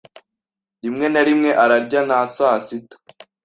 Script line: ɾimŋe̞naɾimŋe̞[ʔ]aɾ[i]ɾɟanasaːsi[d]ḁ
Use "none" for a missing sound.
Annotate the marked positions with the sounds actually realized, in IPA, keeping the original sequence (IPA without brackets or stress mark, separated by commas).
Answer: ʔ, a, t